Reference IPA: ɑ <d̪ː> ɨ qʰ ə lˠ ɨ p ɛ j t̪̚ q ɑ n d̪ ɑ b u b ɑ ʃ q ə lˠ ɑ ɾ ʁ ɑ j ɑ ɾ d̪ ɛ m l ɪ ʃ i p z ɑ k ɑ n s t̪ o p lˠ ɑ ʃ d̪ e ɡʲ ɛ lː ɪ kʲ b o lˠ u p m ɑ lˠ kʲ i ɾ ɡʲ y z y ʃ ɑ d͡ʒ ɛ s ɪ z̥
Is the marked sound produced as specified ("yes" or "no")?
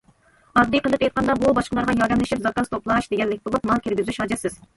yes